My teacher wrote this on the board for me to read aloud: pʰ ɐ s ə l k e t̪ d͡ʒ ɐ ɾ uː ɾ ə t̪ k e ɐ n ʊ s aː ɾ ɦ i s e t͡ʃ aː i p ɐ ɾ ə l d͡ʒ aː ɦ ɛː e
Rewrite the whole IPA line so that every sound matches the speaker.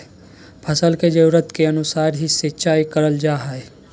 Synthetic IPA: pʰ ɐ s ə l k e d͡ʒ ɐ ɾ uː ɾ ə t̪ k e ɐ n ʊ s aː ɾ ɦ i s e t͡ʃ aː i k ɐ ɾ ə l d͡ʒ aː ɦ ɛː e